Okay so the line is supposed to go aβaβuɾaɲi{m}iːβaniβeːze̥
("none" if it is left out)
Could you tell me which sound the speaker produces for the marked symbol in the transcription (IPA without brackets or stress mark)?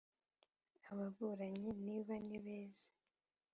n